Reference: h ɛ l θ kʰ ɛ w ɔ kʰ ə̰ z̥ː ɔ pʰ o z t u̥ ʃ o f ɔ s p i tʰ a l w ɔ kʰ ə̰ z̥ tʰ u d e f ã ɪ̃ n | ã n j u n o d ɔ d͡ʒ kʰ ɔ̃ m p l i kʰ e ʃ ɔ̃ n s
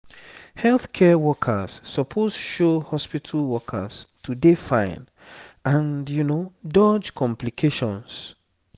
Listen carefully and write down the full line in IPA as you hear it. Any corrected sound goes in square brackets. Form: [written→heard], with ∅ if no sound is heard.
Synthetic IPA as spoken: h ɛ l θ kʰ ɛ w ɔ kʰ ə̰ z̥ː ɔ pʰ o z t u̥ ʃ o [f→h] ɔ s p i tʰ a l w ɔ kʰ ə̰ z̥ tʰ u d e f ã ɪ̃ n | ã n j u n o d ɔ d͡ʒ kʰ ɔ̃ m p l i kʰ e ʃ ɔ̃ n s